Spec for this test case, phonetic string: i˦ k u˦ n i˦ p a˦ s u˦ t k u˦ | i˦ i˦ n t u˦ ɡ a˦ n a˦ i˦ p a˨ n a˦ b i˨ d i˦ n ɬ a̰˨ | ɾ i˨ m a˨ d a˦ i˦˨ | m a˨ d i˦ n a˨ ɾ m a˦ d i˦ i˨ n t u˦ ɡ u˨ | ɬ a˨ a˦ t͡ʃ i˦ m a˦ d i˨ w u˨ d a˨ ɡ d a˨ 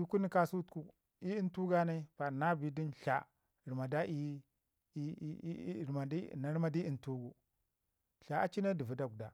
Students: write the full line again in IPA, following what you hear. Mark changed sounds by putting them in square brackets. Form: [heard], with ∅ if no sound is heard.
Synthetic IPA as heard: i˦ k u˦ n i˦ [k] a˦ s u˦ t k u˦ | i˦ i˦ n t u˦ ɡ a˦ n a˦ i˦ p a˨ n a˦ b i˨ d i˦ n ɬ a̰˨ | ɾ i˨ m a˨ d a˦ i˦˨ | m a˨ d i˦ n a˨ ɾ m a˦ d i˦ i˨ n t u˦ ɡ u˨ | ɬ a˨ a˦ t͡ʃ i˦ [n] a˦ d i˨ [v] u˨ d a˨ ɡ d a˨